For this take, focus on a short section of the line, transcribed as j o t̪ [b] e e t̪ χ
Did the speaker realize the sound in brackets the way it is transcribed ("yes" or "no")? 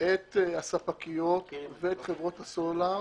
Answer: no